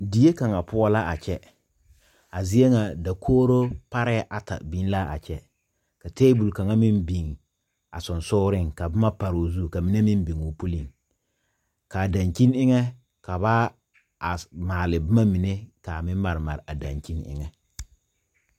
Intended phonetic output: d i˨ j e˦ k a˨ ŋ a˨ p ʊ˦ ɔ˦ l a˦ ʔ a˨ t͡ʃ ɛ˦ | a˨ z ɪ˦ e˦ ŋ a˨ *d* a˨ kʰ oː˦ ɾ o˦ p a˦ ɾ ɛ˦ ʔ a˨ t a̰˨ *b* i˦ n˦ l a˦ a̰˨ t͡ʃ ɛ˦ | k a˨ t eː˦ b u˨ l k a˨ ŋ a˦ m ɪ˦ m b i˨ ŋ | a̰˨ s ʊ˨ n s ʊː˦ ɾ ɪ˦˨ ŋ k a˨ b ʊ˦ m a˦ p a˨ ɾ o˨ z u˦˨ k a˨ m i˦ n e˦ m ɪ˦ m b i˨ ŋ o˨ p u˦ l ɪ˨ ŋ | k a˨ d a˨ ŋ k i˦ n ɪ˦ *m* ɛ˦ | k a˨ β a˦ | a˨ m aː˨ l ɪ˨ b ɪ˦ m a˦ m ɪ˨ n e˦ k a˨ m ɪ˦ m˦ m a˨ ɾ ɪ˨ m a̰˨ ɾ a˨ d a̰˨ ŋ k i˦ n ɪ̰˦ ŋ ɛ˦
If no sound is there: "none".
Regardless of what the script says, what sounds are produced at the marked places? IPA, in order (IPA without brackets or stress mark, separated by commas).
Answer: d, b, ŋ